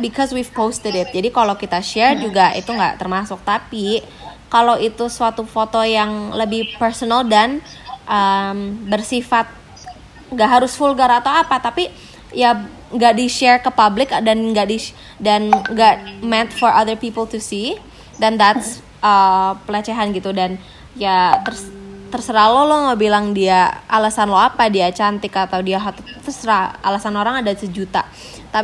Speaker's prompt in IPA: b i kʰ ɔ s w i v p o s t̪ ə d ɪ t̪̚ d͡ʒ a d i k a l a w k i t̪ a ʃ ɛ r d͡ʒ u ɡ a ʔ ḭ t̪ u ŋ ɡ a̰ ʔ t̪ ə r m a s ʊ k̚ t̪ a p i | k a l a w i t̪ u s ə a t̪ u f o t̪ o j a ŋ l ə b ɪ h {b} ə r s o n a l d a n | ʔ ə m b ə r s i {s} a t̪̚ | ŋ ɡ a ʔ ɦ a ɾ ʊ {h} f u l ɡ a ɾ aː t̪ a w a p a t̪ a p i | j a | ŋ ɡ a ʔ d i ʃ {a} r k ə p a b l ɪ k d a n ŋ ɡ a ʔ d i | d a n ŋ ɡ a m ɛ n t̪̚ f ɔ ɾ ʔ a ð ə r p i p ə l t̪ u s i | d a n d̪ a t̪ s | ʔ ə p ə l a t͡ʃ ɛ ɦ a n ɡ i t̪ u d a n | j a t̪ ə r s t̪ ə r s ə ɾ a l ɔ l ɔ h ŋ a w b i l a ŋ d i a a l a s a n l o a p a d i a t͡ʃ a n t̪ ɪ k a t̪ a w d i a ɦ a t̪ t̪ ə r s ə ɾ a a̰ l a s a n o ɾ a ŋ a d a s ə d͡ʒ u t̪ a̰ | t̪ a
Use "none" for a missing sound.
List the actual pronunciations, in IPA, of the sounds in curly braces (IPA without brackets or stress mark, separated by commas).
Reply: p, f, s, ɛ